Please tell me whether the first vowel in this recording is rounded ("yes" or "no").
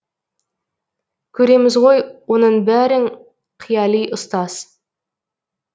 yes